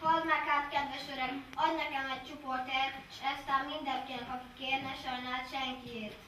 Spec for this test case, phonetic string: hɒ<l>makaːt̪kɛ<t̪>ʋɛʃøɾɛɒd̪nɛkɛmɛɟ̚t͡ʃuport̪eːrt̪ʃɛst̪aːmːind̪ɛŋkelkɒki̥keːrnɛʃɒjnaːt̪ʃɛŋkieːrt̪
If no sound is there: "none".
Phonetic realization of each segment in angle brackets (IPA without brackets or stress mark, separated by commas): l, d̪